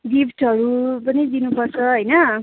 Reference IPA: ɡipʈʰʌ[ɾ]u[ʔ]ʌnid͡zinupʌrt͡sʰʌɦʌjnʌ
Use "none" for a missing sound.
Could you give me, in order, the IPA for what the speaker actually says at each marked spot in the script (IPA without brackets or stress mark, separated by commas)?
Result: ɾ, p